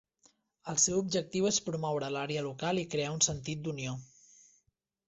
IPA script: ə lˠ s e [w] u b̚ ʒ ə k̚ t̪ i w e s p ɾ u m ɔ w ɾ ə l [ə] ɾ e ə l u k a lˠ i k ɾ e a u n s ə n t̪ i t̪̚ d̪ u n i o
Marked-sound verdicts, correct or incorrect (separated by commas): correct, incorrect